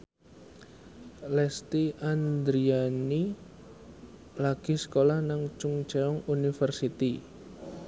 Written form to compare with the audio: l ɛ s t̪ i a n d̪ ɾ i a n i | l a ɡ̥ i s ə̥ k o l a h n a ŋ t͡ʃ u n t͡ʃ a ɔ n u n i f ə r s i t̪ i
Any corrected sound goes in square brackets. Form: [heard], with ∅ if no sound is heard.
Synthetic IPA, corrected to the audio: l ɛ s t̪ i a n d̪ ɾ i a n i | l a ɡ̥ i s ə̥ k o l a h n a ŋ t͡ʃ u [ŋ] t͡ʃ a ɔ [ŋ] u n i f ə r s i t̪ i